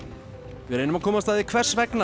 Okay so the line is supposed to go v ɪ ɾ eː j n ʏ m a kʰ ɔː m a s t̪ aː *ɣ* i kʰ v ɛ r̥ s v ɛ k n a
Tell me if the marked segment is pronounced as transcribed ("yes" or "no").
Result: no